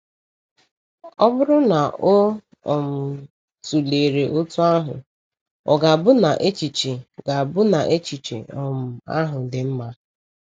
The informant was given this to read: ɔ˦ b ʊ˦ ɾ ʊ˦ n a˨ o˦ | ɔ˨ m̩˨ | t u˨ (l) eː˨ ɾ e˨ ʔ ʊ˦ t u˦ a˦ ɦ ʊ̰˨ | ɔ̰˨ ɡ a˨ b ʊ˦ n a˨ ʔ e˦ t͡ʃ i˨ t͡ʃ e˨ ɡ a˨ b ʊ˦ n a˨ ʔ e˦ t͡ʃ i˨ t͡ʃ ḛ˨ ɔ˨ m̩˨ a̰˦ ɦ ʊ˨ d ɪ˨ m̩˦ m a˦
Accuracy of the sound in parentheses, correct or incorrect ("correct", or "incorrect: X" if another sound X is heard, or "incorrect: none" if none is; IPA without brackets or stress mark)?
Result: correct